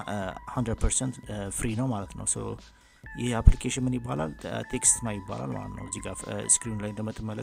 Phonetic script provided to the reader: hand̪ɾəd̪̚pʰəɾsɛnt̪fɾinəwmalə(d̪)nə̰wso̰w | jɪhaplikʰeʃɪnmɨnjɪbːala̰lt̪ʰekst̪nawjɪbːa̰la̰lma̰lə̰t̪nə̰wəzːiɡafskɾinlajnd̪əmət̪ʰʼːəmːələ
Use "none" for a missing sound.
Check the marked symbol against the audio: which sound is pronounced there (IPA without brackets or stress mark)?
t̪